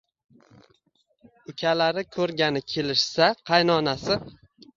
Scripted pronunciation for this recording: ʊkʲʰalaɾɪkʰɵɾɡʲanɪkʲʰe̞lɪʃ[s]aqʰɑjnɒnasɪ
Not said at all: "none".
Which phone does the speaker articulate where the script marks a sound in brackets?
s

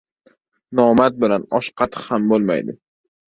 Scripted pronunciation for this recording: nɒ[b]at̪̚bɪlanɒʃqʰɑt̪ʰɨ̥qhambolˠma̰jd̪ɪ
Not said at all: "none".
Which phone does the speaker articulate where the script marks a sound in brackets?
m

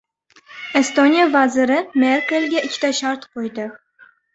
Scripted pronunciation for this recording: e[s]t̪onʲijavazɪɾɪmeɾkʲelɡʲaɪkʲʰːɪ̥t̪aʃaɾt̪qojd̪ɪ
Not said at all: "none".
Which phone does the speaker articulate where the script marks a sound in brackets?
s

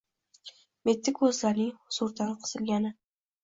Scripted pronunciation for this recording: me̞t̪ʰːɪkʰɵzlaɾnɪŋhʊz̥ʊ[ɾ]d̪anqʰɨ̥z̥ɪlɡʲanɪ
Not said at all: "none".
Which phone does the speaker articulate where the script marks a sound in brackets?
ɾ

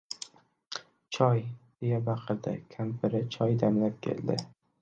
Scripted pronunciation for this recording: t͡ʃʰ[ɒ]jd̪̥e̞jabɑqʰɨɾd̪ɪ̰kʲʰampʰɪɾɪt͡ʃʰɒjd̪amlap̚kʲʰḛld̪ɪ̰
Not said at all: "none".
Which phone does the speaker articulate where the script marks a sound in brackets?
ɒ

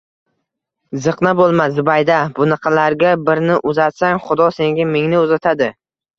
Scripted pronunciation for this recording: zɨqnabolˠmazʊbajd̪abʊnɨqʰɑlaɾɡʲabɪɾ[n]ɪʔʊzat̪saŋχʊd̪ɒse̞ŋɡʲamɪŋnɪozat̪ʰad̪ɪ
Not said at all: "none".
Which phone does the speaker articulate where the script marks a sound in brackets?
n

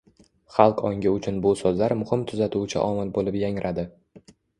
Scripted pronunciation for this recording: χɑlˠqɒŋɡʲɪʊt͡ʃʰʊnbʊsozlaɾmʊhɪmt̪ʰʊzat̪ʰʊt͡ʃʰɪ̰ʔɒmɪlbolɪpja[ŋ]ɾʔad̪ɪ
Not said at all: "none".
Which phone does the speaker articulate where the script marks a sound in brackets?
ŋ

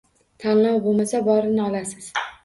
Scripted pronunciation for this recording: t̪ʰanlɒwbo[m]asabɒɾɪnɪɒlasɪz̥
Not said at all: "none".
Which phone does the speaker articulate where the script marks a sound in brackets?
m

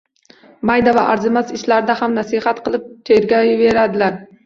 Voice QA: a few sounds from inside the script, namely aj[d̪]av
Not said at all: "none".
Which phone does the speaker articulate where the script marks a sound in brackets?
d̪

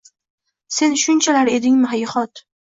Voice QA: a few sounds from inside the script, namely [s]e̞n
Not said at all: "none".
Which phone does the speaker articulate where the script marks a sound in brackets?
s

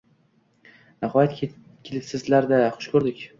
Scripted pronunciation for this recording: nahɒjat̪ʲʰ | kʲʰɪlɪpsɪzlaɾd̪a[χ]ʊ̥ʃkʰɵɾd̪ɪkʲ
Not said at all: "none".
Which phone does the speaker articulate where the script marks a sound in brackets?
χ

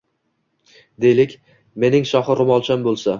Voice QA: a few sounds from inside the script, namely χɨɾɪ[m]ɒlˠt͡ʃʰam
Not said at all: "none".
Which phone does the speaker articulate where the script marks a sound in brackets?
m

